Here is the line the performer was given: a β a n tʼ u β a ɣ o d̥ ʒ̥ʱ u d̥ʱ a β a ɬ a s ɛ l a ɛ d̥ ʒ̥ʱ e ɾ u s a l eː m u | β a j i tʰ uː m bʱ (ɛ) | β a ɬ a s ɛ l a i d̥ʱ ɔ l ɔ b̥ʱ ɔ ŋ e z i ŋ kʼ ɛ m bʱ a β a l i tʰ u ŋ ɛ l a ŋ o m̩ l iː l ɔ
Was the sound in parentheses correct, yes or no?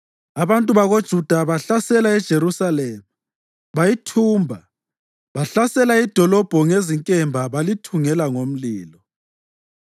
no